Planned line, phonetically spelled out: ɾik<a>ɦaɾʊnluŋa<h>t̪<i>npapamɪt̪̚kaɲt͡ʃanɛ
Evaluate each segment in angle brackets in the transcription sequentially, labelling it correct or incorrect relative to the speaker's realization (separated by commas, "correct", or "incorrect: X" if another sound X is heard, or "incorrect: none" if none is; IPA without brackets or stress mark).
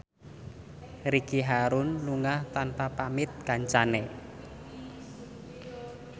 incorrect: i, correct, incorrect: a